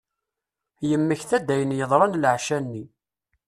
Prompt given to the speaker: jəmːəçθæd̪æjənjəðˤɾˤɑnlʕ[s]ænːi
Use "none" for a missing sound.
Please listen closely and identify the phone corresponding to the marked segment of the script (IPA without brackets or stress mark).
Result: ʃ